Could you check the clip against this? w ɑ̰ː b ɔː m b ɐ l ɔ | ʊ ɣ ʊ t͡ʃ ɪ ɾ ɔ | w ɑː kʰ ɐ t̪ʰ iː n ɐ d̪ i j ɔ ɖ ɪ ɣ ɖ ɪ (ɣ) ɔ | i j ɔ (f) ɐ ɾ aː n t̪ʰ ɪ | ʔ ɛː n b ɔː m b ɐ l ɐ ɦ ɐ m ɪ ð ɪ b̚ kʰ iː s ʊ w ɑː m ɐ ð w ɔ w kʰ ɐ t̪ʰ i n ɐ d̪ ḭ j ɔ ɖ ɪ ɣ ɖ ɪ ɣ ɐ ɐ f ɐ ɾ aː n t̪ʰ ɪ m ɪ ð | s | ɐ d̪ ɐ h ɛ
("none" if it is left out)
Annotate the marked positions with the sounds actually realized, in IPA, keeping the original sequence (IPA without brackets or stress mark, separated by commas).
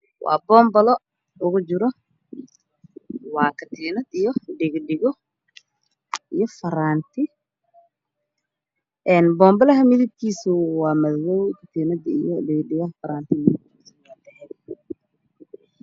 ɣ, f